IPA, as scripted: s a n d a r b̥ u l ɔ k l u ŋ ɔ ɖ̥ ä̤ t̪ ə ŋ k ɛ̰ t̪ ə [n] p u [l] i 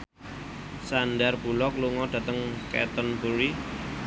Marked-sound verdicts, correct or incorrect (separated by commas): correct, incorrect